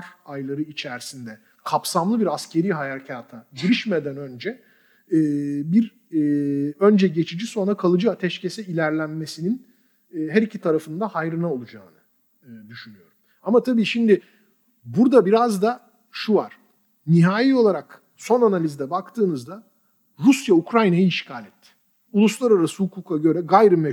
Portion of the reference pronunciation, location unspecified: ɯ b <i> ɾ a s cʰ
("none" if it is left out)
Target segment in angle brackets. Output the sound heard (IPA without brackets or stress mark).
i